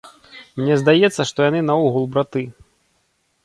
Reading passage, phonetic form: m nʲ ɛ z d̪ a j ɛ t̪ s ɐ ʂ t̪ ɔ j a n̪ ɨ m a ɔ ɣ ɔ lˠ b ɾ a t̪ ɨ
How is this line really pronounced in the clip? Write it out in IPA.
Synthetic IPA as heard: m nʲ ɛ z d̪ a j ɛ t̪ sː ɐ ʂ t̪ ɔ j a n̪ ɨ n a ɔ ɣ u lˠ b ɾ a t̪ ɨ